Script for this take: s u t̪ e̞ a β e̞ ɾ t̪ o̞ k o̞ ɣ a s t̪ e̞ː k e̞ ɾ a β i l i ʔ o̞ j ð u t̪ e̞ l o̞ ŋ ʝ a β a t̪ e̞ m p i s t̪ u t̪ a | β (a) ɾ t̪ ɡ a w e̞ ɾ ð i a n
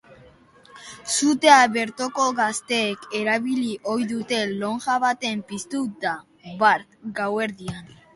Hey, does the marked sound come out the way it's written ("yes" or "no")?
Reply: yes